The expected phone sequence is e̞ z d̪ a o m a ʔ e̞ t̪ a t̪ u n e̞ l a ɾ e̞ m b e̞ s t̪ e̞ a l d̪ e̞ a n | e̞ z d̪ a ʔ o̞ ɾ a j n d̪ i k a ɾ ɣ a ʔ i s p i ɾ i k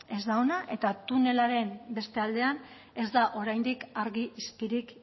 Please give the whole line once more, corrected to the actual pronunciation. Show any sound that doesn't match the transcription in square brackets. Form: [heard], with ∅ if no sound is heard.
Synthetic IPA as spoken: e̞ z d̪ a o [n] a ʔ e̞ t̪ a t̪ u n e̞ l a ɾ e̞ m b e̞ s t̪ e̞ a l d̪ e̞ a n | e̞ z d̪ a ʔ o̞ ɾ a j n d̪ i k a ɾ ɣ [i] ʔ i s p i ɾ i k